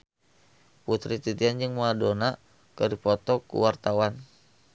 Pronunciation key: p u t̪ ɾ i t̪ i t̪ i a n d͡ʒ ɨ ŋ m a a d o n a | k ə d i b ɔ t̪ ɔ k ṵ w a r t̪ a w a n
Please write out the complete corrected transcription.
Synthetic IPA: p u t̪ ɾ i t̪ i t̪ i a n d͡ʒ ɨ ŋ m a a d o n a | k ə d i p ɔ t̪ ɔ k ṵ w a r t̪ a w a n